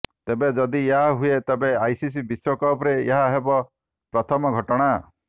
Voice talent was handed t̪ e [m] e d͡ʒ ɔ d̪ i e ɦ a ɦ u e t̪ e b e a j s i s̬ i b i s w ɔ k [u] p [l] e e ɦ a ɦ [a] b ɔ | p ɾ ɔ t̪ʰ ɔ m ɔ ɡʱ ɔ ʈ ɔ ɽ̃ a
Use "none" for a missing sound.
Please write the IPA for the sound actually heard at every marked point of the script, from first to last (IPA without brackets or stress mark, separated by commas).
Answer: b, ɔ, ɾ, e